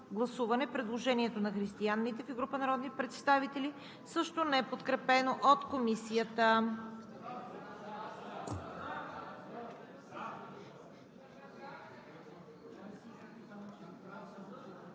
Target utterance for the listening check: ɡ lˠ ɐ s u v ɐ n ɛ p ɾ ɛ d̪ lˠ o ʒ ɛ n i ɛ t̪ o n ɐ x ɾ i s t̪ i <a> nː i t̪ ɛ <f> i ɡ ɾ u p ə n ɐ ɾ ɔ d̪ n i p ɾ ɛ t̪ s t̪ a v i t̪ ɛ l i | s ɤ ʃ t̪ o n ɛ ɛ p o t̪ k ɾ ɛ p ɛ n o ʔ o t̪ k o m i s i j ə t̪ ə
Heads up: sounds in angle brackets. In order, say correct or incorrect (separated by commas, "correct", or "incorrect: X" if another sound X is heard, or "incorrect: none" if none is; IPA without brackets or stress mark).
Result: correct, correct